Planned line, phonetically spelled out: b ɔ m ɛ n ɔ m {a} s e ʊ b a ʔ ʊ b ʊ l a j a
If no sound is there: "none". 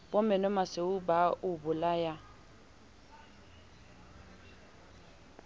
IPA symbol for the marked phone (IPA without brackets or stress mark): a